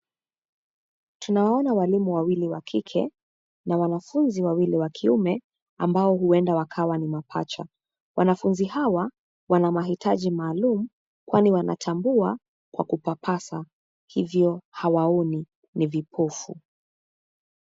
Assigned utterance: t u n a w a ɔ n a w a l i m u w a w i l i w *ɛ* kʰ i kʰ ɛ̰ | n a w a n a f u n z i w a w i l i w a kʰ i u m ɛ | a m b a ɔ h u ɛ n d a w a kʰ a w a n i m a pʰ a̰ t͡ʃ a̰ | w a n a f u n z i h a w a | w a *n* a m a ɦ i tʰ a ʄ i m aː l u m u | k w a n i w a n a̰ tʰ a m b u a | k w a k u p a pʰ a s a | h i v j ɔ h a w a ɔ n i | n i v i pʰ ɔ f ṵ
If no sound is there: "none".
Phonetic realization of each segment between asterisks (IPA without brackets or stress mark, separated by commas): a, n